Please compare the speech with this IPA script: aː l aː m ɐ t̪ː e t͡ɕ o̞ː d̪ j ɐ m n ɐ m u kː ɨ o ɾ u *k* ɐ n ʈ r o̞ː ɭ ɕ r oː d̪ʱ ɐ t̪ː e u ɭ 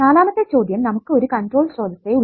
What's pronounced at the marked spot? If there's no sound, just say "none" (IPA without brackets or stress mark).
k